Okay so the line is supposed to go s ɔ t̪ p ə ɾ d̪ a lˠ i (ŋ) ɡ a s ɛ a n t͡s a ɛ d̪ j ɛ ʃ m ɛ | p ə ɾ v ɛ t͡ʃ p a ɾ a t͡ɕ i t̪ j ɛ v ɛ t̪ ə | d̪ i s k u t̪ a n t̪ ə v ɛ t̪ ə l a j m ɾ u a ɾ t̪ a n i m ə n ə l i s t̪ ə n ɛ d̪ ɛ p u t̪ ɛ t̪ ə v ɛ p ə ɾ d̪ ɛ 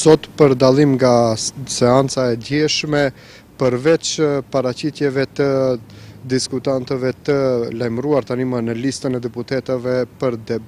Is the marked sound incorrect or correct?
incorrect